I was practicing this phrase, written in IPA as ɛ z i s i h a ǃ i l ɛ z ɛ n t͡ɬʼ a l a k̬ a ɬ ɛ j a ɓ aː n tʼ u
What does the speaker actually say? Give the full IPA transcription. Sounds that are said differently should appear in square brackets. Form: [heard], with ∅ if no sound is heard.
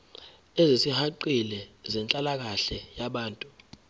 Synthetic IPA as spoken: ɛ z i s i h a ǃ i l ɛ z ɛ n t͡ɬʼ a l a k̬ a ɬ ɛ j a ɓ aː n tʼ u

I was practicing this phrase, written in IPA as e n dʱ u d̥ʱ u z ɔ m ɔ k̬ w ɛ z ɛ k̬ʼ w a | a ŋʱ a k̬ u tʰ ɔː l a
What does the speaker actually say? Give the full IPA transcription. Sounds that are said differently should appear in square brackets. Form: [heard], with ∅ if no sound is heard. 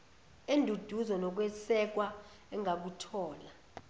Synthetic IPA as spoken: e n dʱ u d̥ʱ u z ɔ [n] ɔ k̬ w ɛ [s] ɛ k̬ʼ w a | [ɛ] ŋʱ a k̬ u tʰ ɔː l a

